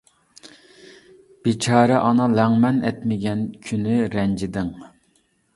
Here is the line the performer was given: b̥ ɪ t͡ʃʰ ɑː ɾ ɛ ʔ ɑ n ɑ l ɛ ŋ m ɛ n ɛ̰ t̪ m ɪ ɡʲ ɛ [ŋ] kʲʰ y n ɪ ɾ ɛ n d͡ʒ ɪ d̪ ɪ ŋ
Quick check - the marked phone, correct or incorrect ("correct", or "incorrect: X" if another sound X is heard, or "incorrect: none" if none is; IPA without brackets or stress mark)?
incorrect: n